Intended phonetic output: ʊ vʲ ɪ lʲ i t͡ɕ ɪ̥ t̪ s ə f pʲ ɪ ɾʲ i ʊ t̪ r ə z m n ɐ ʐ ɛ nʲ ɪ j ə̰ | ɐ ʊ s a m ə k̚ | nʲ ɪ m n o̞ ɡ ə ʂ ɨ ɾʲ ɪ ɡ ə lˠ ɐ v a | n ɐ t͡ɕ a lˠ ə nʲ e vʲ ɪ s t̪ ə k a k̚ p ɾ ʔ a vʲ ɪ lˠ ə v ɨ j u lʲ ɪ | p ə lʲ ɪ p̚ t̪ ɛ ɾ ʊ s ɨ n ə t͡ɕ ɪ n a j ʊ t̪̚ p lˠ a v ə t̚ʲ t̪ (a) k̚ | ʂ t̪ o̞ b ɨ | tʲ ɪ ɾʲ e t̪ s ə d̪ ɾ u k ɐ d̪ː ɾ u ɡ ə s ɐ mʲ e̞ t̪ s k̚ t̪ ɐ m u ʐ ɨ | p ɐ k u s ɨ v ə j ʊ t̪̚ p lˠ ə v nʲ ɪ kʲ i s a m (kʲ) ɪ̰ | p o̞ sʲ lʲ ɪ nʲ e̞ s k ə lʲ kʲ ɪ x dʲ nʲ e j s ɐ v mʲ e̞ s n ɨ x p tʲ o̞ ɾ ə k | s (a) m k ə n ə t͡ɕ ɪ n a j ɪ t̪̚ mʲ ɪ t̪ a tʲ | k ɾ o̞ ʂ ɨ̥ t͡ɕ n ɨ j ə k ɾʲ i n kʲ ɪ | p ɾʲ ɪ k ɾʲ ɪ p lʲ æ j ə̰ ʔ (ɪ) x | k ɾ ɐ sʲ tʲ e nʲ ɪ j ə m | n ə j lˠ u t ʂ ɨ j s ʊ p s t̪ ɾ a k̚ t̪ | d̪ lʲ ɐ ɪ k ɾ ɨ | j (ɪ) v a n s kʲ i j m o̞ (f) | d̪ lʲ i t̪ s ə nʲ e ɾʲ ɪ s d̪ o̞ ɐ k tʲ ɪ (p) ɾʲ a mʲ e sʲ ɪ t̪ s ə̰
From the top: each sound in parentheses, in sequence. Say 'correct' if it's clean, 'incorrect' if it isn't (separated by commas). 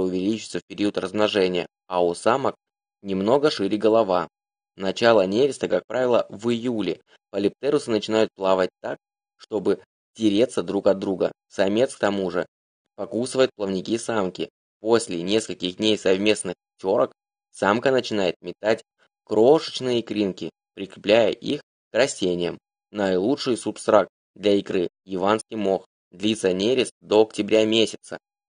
correct, correct, correct, incorrect, correct, incorrect, incorrect